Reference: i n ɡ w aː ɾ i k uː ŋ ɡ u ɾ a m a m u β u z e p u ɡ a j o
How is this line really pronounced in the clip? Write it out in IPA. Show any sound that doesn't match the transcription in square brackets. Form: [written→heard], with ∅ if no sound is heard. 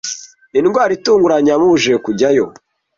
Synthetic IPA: i n ɡ w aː ɾ i [k→t] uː ŋ ɡ u ɾ a [m→ɲ] a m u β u [z→ʒ] e [p→k] u [ɡ→ɟ] a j o

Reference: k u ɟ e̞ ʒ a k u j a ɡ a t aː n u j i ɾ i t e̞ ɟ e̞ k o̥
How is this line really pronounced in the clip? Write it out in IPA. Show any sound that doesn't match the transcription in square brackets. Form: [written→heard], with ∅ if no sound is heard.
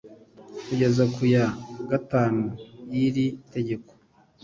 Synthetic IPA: k u ɟ e̞ [ʒ→z] a k u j a ɡ a t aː n u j i ɾ i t e̞ ɟ e̞ k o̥

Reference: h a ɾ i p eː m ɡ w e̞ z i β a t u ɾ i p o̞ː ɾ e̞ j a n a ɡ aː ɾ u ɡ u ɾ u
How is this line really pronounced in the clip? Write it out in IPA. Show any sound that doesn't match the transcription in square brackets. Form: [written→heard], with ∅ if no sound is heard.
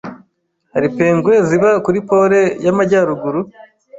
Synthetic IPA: h a ɾ i p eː [m→ŋ] ɡ w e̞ z i β a [t→k] u ɾ i p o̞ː ɾ e̞ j a [n→m] a [ɡ→ɟ] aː ɾ u ɡ u ɾ u

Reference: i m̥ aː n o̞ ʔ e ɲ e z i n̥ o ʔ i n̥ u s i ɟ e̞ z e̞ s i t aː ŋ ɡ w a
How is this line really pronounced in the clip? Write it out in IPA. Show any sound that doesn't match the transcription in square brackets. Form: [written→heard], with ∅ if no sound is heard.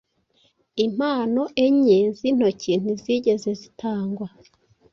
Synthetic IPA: i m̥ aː n o̞ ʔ e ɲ e z i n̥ o [ʔ→c] i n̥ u [s→z] i ɟ e̞ z e̞ [s→z] i t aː ŋ ɡ w a

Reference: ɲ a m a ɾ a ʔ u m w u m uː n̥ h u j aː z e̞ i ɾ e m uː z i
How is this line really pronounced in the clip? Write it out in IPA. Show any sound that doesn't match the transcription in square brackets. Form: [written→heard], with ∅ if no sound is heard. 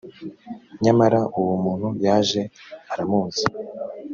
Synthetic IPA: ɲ a m a ɾ a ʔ u [m→∅] w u m uː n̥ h u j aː [z→ʒ] e̞ [i→a] ɾ [e→a] m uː z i

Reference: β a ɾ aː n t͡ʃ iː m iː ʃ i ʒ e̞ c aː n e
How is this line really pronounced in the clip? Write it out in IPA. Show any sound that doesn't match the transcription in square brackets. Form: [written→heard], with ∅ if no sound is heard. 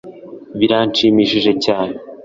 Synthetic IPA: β [a→i] ɾ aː n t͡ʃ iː m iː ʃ i ʒ e̞ c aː n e

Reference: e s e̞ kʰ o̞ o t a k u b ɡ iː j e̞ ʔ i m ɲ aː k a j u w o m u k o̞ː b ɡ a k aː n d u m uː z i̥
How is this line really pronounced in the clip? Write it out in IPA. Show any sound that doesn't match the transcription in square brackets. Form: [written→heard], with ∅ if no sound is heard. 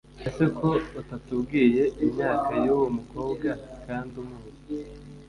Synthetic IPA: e s e̞ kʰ o̞ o t a [k→t] u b ɡ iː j e̞ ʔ i m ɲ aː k a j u w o m u k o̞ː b ɡ a k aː n d u m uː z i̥

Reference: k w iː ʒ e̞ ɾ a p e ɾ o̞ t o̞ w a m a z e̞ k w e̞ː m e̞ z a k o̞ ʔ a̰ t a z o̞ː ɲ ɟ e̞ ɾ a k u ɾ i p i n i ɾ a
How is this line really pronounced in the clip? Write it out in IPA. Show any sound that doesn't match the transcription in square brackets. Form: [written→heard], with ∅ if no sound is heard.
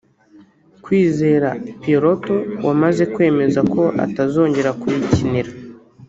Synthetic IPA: k w iː [ʒ→z] e̞ ɾ a p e ɾ o̞ t o̞ w a m a z e̞ k w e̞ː m e̞ z a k o̞ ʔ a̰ t a z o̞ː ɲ ɟ e̞ ɾ a k u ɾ i [p→c] i n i ɾ a

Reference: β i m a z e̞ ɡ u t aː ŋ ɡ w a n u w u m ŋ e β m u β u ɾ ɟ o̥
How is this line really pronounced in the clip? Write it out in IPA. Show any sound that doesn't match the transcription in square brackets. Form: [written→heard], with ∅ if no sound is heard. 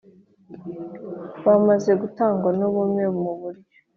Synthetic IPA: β [i→a] m a z e̞ ɡ u t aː ŋ ɡ w a n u [w→β] u m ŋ e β m u β u ɾ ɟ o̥

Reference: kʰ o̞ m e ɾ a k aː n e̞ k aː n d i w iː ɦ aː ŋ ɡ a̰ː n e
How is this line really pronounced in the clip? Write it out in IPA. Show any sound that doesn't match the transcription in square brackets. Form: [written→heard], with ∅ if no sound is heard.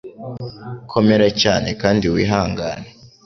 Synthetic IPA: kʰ o̞ m e ɾ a [k→c] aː n e̞ k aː n d i w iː ɦ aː ŋ ɡ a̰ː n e

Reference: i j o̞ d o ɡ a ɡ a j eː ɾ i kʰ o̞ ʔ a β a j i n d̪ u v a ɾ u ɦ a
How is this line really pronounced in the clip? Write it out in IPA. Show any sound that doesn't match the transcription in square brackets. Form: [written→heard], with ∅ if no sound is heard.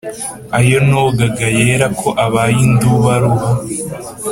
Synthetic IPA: [i→a] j o̞ [d→n] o ɡ a ɡ a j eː ɾ [i→a] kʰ o̞ ʔ a β a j i n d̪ u [v→β] a ɾ u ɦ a

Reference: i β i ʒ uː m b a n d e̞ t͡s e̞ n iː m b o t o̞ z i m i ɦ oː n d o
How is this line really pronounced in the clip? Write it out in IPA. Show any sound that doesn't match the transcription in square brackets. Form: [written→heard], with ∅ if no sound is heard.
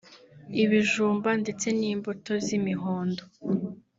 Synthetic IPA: i β i ʒ uː m b a n d e̞ t͡s e̞ n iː m b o t o̞ z i m i ɦ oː n d o

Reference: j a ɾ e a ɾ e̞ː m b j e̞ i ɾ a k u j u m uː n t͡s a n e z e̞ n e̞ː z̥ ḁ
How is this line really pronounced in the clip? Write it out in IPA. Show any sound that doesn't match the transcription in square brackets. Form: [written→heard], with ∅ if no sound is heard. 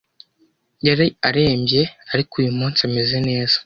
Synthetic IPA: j a ɾ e a ɾ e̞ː m b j e̞ [i→a] ɾ [a→i] k u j u m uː n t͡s a [n→m] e z e̞ n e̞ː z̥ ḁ

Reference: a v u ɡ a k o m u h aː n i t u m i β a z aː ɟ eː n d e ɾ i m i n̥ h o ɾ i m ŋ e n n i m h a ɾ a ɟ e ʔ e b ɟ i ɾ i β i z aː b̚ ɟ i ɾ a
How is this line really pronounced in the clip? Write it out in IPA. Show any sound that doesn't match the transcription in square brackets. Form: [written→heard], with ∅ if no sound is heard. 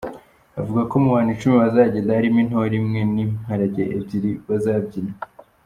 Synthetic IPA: a v u ɡ a k o m u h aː n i [t→t͡ʃ] u m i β a z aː ɟ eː n d [e→a] ɾ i m i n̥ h o ɾ i m ŋ e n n i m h a ɾ a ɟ e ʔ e b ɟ i ɾ i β [i→a] z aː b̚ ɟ i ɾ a

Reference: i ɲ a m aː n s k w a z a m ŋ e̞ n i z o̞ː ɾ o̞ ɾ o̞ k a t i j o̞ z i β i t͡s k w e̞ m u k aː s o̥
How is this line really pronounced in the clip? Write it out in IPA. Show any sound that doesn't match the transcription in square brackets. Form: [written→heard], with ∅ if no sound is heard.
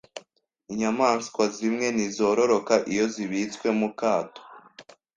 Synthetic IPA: i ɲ a m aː n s k w a z [a→i] m ŋ e̞ n i z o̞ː ɾ o̞ ɾ o̞ k a [t→ʔ] i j o̞ z i β i t͡s k w e̞ m u k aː [s→t] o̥

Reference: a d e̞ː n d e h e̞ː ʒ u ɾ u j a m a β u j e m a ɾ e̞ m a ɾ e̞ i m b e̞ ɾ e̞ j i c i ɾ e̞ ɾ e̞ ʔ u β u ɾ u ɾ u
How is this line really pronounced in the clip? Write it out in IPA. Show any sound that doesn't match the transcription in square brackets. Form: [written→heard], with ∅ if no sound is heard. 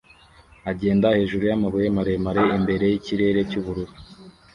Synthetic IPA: a [d→ɟ] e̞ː n d [e→a] h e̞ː ʒ u ɾ u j a m a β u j e m a ɾ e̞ m a ɾ e̞ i m b e̞ ɾ e̞ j i c i ɾ e̞ ɾ e̞ [ʔ→c] u β u ɾ u ɾ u

